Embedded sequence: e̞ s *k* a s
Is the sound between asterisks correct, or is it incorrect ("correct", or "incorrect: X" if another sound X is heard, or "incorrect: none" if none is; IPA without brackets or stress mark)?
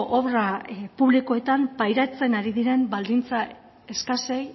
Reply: correct